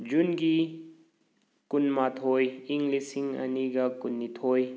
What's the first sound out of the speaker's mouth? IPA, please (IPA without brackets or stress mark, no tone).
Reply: d͡ʒ